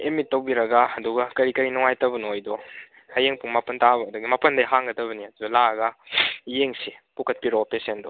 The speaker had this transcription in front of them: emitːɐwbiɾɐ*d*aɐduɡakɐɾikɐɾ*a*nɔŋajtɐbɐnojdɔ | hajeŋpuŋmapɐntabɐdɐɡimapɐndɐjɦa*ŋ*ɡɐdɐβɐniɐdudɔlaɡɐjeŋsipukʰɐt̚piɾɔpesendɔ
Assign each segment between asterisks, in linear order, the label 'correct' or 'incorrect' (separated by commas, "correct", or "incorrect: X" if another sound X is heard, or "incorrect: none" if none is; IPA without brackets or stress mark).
incorrect: ɡ, incorrect: i, correct